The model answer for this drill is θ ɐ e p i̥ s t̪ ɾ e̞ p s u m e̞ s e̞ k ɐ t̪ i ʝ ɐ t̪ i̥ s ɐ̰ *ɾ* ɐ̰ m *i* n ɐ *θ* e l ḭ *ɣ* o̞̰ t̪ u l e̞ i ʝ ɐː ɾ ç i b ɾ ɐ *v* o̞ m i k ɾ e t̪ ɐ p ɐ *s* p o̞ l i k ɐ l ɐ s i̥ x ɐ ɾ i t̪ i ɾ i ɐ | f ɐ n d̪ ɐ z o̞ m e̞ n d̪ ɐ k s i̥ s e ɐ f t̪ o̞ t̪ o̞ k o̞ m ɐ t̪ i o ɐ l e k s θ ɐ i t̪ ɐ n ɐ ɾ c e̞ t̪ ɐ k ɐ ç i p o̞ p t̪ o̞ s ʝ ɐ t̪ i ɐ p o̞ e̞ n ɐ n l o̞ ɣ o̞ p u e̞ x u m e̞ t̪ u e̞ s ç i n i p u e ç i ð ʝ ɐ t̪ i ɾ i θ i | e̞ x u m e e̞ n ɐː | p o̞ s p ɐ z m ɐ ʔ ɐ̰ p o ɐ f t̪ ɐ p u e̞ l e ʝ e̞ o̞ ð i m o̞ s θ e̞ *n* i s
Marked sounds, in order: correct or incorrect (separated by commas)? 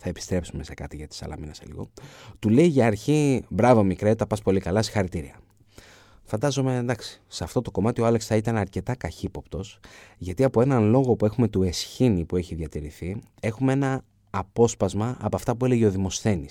incorrect, correct, incorrect, correct, correct, correct, correct